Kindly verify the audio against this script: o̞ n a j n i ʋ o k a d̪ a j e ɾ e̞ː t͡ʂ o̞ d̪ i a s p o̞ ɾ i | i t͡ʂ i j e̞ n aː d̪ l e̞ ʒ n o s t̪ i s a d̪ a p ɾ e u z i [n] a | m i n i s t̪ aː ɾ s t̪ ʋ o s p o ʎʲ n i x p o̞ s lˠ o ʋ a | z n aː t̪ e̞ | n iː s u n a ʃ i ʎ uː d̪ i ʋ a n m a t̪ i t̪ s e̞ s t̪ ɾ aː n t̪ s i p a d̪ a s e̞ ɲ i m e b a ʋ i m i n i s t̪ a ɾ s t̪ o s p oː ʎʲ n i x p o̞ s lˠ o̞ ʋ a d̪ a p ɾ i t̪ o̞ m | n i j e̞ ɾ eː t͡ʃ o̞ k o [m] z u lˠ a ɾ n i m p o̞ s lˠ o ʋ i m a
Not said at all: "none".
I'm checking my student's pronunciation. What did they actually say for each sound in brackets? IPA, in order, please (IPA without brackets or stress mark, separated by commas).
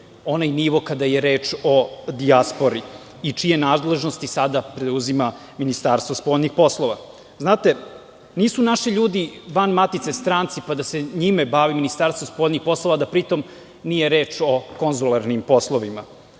m, n